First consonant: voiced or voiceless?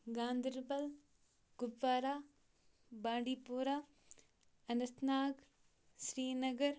voiced